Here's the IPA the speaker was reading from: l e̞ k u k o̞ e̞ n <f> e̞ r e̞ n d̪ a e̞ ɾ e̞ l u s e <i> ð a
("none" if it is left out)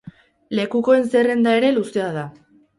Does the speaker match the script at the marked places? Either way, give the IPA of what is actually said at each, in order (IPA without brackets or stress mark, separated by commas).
s, a